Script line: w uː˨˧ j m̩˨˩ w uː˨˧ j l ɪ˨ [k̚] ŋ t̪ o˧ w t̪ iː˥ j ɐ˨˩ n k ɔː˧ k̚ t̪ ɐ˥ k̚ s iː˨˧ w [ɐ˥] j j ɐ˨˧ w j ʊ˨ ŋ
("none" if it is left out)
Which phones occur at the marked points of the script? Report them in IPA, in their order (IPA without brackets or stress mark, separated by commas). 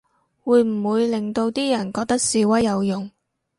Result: none, ɐ˥